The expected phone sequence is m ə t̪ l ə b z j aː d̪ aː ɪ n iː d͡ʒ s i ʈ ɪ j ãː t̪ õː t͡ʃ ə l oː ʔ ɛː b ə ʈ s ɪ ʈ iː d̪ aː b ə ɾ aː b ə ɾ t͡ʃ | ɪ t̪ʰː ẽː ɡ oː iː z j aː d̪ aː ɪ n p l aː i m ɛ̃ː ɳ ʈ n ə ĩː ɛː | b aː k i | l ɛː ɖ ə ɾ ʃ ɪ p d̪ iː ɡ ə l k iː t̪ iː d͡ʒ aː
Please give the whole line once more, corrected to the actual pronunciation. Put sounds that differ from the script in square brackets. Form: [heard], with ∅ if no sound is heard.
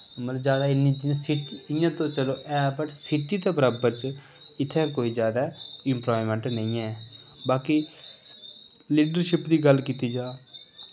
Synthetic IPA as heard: m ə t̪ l ə b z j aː d̪ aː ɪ n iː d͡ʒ s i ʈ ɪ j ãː t̪ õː t͡ʃ ə l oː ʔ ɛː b ə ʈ s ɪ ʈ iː [t̪] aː b ə ɾ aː b ə ɾ t͡ʃ | ɪ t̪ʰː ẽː [k] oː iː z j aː d̪ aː ɪ [m] p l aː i m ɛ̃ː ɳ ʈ n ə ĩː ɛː | b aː k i | l [iː] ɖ ə ɾ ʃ ɪ p d̪ iː ɡ ə l k iː t̪ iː d͡ʒ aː